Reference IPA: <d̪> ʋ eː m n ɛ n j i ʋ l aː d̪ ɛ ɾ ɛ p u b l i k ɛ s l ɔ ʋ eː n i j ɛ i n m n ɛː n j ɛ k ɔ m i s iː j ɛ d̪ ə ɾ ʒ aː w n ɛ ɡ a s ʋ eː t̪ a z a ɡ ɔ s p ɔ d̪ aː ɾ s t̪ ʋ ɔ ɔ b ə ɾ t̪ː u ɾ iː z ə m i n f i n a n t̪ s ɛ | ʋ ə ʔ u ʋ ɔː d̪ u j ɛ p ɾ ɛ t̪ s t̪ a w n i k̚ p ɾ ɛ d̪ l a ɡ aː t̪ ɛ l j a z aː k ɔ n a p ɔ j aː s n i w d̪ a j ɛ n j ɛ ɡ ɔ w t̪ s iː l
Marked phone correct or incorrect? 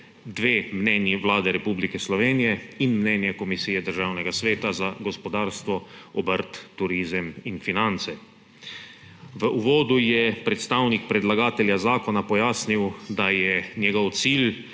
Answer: correct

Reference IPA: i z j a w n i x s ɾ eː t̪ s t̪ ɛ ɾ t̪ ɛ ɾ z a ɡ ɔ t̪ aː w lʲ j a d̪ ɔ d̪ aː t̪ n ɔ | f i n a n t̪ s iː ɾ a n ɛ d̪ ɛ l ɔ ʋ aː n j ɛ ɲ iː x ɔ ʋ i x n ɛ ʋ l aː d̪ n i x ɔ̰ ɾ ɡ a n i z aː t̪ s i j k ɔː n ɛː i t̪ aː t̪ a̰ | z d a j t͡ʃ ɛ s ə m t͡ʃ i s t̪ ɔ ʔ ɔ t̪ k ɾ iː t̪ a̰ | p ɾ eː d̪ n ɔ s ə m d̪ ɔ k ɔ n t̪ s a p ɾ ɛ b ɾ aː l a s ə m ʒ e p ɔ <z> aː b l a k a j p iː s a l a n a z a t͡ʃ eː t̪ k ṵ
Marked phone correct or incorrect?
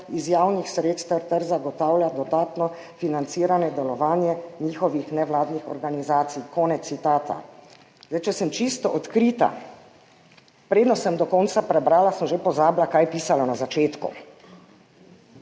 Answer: correct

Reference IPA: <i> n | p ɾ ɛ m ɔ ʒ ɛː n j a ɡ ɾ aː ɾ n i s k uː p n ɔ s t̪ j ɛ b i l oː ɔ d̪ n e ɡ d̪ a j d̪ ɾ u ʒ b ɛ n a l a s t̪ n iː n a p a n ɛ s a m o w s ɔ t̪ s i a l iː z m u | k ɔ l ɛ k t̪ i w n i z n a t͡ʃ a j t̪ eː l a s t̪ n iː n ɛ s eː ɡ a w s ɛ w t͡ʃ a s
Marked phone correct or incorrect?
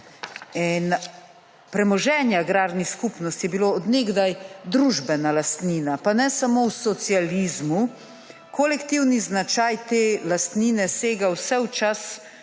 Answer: incorrect: ɛ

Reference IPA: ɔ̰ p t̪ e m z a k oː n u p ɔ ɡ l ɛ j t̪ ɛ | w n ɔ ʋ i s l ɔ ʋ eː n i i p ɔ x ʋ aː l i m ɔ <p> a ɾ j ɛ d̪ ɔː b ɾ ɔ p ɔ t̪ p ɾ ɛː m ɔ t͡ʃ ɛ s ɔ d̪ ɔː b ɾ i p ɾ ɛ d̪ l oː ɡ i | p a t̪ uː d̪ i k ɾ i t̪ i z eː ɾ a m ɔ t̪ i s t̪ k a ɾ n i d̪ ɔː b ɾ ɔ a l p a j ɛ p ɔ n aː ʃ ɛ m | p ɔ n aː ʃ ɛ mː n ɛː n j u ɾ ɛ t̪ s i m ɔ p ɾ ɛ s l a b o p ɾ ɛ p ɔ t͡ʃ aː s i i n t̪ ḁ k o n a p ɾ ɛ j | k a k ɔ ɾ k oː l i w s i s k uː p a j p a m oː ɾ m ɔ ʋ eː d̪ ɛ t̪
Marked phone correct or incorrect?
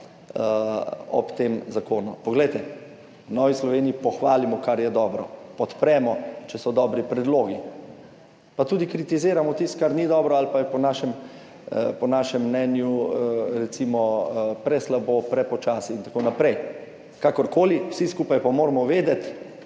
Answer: incorrect: k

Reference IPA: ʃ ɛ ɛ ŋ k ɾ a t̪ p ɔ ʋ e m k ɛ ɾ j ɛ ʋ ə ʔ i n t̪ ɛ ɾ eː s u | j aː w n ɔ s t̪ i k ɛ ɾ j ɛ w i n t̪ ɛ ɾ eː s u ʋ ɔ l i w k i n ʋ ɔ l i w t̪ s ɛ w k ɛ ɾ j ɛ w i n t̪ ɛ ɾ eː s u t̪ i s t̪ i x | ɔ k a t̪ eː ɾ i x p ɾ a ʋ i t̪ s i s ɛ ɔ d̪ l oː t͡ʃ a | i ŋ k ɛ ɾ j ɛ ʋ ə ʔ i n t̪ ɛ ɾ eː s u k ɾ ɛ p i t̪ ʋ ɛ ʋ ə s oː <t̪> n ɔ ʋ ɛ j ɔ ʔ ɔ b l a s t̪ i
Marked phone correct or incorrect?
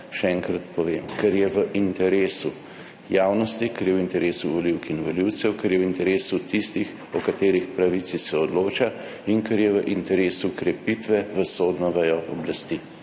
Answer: incorrect: d̪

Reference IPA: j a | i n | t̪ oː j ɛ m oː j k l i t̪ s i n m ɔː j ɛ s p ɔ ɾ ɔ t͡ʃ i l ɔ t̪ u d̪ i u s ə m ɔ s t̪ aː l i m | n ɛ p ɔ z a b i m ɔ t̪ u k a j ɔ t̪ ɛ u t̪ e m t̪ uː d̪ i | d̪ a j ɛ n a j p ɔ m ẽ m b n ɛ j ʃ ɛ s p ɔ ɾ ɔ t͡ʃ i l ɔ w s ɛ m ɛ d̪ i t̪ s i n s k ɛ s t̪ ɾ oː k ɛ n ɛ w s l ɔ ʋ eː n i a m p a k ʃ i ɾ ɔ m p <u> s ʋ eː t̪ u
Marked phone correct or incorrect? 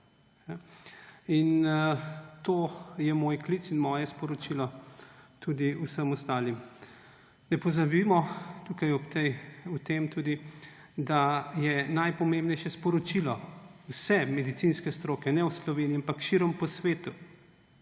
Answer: incorrect: ɔ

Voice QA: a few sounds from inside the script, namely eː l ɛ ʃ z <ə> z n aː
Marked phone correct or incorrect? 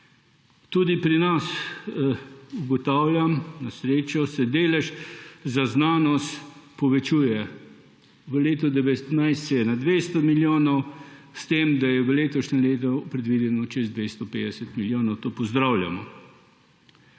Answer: incorrect: a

